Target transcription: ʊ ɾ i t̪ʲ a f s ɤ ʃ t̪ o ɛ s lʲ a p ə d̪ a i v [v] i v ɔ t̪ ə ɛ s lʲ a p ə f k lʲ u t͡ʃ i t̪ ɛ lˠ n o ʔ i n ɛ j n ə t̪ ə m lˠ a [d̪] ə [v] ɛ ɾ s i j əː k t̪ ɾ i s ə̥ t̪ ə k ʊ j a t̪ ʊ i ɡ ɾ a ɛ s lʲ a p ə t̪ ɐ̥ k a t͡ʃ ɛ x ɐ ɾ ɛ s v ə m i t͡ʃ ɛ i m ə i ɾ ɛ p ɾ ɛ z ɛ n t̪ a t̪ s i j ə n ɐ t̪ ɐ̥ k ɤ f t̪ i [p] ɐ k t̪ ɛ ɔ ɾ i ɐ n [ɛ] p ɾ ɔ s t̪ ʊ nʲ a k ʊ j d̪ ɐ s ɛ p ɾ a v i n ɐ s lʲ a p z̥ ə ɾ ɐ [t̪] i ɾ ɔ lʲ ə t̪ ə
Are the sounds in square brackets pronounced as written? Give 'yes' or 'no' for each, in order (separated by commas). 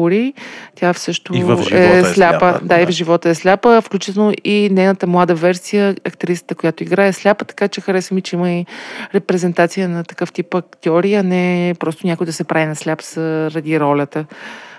no, yes, yes, yes, yes, no